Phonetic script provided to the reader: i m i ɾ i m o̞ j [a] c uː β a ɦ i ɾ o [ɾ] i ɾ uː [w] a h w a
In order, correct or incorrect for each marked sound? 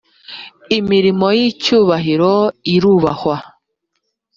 incorrect, incorrect, incorrect

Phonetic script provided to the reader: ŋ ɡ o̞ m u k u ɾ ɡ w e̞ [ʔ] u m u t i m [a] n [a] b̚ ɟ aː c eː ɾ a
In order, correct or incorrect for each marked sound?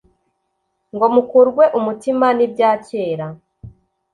correct, correct, incorrect

